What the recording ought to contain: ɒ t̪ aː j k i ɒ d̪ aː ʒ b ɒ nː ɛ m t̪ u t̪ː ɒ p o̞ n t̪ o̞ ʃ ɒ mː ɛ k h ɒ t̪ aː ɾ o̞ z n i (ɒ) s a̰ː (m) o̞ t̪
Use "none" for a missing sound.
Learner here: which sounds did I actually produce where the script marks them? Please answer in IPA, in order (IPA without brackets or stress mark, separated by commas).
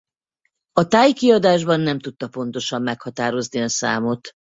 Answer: ɒ, m